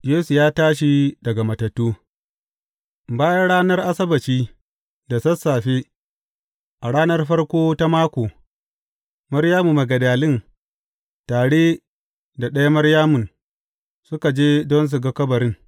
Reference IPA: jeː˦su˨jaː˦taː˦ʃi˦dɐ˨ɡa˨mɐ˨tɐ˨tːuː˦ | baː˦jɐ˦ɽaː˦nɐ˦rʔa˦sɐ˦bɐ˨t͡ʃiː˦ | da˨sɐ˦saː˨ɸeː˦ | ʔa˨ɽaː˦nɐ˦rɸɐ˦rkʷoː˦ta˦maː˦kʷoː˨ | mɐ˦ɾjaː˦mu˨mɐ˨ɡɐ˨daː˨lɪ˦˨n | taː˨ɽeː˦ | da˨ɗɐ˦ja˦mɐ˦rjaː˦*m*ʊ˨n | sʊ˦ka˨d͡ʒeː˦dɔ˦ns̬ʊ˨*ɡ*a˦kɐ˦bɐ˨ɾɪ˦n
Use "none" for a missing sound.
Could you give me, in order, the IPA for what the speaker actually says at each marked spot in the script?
m, ɡ

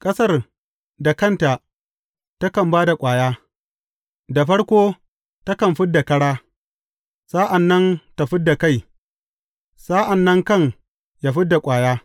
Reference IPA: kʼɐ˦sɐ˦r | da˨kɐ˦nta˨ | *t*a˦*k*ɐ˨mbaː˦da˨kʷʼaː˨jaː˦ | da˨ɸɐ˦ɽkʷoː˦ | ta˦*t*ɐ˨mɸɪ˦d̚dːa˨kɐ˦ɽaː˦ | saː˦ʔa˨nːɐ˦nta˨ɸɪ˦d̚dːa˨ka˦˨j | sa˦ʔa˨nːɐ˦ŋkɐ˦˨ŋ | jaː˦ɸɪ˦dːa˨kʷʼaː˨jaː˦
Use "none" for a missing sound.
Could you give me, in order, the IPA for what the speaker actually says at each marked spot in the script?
t, k, k

